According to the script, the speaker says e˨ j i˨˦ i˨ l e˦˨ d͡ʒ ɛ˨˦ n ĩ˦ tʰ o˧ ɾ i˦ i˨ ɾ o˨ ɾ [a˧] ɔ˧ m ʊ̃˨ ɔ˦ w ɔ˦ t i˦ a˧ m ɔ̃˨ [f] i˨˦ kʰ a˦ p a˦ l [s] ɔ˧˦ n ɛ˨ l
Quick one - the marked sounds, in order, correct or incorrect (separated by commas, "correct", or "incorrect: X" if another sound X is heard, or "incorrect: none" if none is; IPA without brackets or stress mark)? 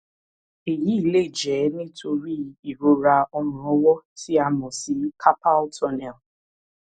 correct, incorrect: s, incorrect: t